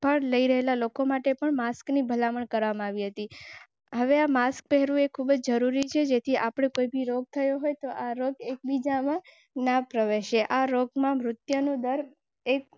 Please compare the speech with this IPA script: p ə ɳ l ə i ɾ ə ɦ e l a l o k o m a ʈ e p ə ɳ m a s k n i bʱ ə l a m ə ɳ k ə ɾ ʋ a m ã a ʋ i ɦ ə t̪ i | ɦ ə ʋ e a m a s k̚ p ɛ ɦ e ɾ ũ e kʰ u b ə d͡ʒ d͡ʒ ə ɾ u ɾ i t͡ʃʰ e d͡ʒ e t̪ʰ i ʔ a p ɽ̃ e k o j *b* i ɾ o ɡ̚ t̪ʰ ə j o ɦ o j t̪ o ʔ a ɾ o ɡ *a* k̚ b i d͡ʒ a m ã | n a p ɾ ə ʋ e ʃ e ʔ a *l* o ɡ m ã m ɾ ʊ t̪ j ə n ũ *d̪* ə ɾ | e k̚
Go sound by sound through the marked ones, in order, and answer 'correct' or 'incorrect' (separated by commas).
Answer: correct, incorrect, incorrect, correct